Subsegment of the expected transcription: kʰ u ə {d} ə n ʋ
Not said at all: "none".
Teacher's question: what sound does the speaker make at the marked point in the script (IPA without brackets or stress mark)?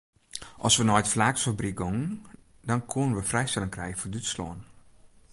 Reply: n